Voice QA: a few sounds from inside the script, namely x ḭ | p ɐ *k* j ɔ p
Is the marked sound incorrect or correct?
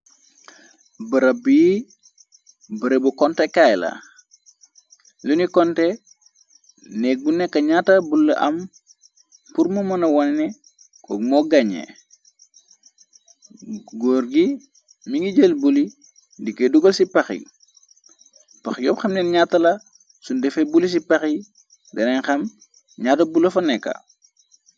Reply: incorrect: x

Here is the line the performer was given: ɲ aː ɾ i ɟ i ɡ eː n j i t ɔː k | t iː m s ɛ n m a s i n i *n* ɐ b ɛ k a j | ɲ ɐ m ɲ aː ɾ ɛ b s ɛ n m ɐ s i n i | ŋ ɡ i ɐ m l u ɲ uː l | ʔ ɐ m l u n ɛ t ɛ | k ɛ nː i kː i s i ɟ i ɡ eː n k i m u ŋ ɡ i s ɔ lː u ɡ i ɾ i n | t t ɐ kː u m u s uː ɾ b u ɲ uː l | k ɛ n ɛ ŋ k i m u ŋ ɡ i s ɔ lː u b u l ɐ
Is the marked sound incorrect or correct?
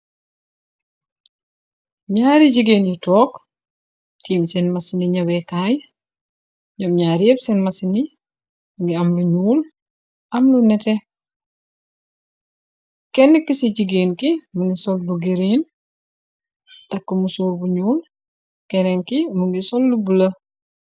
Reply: incorrect: ɲ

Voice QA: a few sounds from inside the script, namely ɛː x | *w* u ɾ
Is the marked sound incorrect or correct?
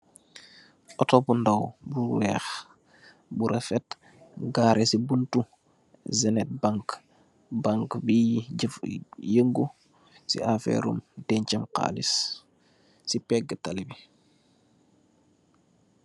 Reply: incorrect: b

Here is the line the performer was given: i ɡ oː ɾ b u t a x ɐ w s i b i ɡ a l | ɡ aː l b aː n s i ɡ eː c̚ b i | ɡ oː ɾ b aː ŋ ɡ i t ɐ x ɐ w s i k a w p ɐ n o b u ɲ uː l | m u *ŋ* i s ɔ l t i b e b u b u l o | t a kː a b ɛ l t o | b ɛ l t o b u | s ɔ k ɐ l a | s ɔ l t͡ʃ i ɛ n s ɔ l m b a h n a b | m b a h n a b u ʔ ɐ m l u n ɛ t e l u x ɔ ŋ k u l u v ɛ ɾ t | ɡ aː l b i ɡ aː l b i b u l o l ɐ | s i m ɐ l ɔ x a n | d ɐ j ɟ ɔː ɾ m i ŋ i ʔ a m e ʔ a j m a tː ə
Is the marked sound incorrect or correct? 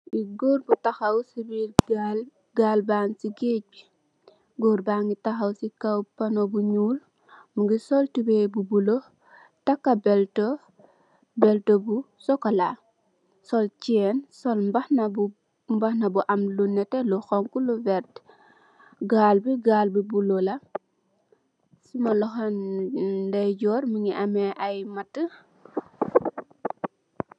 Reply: incorrect: ɡ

